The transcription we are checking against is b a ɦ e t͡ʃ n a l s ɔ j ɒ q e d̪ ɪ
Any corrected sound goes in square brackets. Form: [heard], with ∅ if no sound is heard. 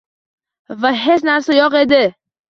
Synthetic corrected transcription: [v] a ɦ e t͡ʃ n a [ɾ] s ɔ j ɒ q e d̪ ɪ